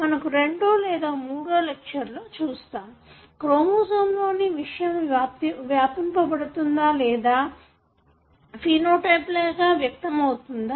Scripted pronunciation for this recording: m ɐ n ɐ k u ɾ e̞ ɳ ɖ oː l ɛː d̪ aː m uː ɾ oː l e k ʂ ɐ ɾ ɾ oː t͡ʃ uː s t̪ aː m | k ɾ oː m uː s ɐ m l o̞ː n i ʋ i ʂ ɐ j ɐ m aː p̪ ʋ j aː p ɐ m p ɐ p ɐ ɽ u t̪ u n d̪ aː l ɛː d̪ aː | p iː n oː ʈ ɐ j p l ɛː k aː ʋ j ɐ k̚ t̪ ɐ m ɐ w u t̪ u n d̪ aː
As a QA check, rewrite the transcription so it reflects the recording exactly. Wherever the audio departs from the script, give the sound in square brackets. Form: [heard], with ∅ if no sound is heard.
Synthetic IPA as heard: m ɐ n ɐ k u ɾ e̞ ɳ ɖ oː l ɛː d̪ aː m uː [ɽ] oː l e k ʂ ɐ ɾ [l] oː t͡ʃ uː s t̪ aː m | k ɾ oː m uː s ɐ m l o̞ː n i ʋ i ʂ ɐ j ɐ m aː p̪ ʋ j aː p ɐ m p ɐ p ɐ ɽ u t̪ u n d̪ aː l ɛː d̪ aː | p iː n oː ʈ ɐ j p l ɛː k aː ʋ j ɐ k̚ t̪ ɐ m ɐ w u t̪ u n d̪ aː